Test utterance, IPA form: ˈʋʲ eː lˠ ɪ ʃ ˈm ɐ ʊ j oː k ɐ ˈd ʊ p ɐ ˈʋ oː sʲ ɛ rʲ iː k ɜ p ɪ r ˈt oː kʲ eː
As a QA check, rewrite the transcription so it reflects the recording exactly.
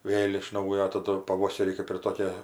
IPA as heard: ˈʋʲ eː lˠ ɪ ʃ ˈn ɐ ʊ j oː t ɐ ˈd ʊ p ɐ ˈʋ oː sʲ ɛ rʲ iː k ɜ p ɪ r ˈt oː kʲ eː